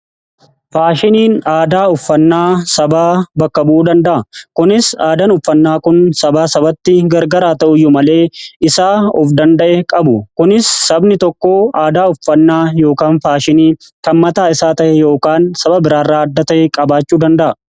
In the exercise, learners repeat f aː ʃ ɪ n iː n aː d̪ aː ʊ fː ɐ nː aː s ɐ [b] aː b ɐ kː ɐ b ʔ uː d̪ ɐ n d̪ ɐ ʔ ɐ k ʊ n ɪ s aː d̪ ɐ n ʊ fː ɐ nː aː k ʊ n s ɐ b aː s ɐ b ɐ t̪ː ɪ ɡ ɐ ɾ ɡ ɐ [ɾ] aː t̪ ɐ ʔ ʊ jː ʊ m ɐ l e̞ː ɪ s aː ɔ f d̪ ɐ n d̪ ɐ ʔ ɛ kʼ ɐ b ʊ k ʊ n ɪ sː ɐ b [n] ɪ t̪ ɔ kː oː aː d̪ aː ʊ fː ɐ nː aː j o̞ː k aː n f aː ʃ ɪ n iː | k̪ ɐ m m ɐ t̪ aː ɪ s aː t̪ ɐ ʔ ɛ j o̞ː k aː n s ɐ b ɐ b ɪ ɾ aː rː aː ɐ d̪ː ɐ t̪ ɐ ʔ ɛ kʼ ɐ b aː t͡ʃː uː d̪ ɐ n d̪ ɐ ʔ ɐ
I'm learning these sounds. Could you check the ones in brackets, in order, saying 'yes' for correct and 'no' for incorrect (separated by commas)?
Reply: yes, yes, yes